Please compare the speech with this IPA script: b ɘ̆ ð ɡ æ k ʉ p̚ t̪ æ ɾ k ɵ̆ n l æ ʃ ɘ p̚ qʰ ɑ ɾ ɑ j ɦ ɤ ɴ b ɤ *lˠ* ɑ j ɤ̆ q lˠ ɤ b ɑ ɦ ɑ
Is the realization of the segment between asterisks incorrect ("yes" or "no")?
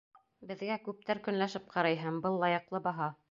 yes